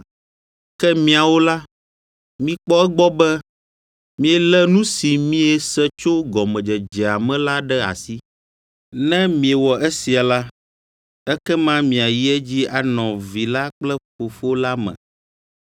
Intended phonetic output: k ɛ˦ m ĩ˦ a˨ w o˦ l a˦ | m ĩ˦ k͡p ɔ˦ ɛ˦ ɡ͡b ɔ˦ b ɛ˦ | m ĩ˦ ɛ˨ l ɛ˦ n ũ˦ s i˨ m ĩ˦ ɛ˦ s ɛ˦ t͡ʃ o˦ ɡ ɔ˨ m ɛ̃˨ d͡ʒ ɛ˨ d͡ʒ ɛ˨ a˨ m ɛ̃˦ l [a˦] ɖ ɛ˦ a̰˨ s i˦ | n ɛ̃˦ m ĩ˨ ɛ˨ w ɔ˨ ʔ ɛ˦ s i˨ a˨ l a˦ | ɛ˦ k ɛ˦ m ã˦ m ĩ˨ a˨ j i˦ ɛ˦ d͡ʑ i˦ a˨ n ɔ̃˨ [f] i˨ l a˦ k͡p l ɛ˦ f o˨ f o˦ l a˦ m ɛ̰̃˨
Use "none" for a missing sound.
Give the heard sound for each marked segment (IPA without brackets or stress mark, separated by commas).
a˦, v